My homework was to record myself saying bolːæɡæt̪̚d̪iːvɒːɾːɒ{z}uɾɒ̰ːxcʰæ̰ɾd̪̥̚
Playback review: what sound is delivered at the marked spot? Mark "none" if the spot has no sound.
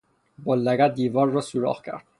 s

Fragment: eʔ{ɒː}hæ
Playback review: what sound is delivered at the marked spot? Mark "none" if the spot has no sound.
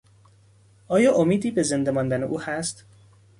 uː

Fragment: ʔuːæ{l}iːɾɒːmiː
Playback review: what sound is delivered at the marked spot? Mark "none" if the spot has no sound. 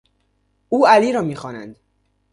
l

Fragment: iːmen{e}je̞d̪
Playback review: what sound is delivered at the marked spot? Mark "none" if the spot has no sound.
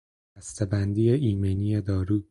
i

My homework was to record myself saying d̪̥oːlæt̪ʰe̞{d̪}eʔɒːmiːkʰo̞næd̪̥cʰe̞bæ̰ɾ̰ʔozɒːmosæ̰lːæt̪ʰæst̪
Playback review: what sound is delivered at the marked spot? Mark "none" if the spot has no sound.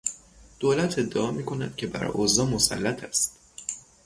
d̪ː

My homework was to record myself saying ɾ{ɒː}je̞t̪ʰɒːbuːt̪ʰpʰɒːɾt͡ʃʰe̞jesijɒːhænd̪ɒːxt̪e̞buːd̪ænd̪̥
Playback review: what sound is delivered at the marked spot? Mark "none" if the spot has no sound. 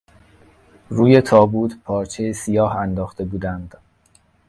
uː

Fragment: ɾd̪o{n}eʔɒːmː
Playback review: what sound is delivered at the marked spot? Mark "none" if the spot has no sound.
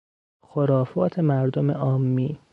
m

